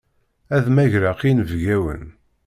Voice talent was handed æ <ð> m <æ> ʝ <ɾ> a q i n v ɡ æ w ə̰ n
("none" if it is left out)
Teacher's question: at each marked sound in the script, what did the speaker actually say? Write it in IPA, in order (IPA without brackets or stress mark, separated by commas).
ð, æ, ɾ